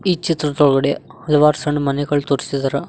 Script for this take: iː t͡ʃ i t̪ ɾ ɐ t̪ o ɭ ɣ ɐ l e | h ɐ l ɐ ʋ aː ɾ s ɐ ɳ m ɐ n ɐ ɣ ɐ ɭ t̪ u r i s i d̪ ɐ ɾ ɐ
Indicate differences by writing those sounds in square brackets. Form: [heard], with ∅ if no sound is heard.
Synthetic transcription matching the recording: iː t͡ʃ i t̪ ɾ ɐ t̪ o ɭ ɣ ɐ [ɽ] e | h ɐ l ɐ ʋ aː ɾ s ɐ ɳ m ɐ n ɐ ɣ ɐ ɭ t̪ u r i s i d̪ ɐ ɾ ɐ